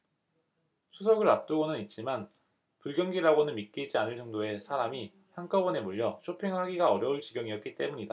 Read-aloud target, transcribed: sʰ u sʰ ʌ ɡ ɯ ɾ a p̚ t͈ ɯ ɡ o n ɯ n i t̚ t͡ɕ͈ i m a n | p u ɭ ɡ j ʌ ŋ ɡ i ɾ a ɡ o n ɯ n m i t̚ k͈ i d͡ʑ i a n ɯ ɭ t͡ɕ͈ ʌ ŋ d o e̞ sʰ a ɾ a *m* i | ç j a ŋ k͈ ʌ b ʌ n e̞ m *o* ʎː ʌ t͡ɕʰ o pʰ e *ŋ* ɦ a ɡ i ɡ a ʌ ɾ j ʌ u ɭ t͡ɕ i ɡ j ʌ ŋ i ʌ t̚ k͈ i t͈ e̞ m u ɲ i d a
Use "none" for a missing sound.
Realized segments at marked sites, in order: m, u, ŋ

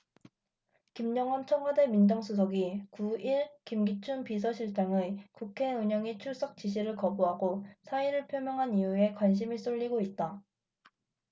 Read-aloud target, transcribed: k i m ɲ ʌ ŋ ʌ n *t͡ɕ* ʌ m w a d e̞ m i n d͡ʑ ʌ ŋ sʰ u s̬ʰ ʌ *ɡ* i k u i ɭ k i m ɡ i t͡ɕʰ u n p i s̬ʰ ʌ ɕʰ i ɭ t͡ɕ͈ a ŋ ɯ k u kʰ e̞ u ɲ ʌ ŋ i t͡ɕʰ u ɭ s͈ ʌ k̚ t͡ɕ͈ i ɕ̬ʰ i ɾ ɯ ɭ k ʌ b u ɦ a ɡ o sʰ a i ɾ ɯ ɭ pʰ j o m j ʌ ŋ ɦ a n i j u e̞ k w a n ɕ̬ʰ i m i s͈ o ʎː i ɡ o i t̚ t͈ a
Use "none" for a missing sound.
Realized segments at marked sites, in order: t͡ɕʰ, ɡ

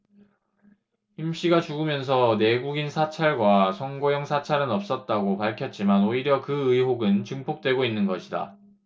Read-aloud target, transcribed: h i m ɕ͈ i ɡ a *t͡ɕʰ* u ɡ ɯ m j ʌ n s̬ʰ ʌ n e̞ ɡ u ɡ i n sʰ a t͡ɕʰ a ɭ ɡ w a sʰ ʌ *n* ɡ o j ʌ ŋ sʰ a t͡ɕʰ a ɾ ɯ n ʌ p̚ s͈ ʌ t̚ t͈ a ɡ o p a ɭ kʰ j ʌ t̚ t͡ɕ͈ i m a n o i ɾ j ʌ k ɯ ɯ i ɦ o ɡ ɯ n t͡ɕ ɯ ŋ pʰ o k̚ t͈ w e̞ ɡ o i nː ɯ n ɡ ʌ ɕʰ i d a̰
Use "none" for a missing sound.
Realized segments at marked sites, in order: t͡ɕ, ŋ

